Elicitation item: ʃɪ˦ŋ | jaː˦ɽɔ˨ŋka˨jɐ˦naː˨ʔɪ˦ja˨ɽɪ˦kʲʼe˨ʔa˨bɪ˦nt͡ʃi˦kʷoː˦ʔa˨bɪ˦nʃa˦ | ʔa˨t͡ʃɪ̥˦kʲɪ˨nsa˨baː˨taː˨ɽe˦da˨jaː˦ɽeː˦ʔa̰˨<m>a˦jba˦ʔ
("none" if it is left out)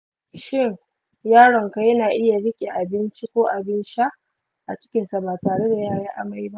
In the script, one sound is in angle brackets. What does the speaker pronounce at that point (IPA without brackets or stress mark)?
m